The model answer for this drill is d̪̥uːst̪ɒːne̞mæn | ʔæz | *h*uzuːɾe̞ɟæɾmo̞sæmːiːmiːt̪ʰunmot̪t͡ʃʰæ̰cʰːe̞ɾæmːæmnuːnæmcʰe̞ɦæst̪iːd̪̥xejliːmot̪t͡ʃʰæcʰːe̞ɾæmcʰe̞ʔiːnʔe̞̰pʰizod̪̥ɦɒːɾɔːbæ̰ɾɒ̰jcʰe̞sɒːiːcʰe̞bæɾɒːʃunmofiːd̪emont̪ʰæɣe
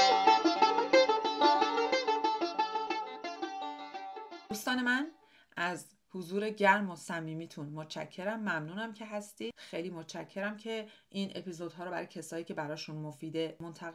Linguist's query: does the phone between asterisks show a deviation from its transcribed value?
no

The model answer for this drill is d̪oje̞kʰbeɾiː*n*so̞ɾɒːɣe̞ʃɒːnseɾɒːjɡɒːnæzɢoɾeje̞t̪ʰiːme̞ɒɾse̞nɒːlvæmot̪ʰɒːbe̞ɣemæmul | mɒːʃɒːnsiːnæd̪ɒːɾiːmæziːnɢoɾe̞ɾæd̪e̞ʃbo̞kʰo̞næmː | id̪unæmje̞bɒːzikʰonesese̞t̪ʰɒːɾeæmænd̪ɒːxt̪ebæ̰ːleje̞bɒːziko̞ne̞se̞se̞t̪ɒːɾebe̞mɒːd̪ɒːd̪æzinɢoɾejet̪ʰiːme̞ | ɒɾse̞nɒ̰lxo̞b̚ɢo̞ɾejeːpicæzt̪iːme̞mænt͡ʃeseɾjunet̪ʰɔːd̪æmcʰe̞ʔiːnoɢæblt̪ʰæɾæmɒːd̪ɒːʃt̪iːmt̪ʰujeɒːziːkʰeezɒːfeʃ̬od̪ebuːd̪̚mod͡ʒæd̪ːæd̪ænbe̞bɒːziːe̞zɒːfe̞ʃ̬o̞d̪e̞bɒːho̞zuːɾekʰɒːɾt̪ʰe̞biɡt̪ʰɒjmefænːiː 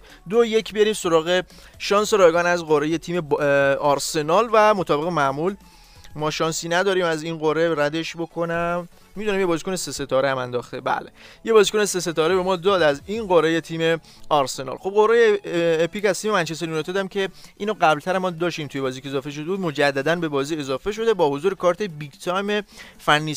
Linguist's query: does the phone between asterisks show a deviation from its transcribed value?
yes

